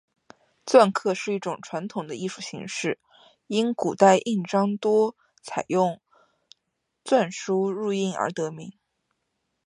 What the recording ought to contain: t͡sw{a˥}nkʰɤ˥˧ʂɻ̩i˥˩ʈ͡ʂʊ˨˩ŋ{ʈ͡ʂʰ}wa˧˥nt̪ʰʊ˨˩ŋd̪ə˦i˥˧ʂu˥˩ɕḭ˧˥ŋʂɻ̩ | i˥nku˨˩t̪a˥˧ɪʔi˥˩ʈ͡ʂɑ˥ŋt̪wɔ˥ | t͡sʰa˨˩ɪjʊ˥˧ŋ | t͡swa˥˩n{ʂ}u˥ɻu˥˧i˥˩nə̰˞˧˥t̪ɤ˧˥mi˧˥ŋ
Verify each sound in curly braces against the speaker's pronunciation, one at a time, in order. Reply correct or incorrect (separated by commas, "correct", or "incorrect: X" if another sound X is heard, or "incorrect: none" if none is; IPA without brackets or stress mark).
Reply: incorrect: a˥˧, correct, correct